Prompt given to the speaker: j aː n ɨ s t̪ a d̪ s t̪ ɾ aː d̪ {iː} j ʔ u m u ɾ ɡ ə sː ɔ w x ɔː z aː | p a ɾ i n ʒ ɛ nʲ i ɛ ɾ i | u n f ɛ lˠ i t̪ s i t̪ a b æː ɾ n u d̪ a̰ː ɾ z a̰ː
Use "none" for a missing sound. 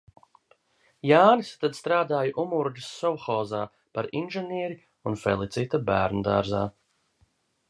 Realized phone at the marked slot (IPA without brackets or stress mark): aː